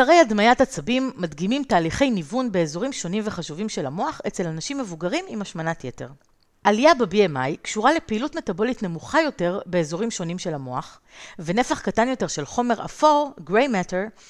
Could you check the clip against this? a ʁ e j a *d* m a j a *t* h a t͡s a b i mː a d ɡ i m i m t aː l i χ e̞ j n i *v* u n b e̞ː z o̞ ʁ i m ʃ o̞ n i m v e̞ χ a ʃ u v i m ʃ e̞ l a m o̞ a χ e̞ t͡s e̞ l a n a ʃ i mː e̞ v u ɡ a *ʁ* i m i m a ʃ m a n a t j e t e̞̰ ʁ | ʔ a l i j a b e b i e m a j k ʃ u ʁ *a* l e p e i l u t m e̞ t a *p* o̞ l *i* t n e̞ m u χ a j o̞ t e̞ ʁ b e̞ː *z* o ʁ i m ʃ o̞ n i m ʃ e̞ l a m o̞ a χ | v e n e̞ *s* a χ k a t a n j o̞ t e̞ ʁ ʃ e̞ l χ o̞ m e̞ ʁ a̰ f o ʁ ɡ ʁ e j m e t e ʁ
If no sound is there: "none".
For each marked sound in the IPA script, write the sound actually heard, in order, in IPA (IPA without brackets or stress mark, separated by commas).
d, t, v, ʁ, a, b, i, z, f